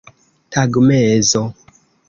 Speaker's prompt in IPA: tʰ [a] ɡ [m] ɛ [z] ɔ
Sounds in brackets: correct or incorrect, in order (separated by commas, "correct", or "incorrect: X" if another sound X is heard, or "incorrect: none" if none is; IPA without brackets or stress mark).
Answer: correct, correct, correct